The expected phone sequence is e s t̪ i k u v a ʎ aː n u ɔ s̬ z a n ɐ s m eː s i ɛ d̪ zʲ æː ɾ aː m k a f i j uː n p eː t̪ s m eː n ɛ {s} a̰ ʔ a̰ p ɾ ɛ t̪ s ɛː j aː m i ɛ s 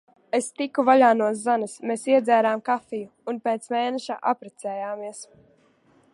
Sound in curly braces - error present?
yes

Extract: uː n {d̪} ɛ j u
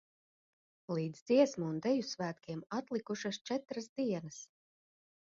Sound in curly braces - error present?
no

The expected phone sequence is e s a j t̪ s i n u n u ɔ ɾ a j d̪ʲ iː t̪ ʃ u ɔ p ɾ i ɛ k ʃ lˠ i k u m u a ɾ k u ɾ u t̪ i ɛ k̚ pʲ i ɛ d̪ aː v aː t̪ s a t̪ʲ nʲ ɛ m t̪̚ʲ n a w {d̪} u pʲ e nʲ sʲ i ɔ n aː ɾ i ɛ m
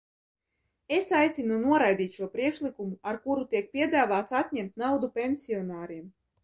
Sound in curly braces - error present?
no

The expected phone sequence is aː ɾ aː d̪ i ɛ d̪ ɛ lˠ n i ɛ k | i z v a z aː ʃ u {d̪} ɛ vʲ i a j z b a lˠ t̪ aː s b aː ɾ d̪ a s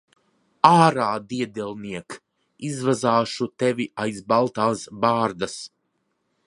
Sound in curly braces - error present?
yes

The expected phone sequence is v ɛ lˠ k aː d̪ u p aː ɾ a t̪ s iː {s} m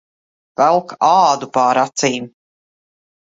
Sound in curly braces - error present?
yes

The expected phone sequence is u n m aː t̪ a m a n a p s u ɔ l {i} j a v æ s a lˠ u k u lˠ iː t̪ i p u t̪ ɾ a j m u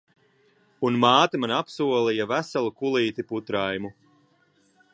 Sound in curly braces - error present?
no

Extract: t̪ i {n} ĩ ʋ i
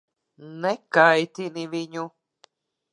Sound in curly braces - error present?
no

